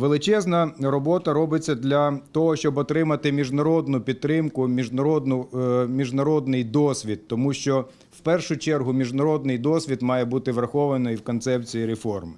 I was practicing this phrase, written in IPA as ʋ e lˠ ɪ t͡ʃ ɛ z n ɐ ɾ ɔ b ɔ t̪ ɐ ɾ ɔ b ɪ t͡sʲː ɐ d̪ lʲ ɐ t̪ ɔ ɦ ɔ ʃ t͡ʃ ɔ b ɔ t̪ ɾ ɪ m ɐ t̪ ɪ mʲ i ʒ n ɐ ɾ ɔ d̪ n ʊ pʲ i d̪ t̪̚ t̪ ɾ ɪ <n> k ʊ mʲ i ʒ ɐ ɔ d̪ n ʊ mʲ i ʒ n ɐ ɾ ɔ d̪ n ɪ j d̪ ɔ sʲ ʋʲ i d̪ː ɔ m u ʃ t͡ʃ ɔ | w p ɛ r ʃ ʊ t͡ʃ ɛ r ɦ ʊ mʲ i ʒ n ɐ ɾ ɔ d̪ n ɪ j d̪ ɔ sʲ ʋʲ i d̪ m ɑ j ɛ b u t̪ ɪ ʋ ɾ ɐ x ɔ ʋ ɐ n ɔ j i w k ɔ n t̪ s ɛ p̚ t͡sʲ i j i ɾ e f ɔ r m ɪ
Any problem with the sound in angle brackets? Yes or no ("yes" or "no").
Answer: yes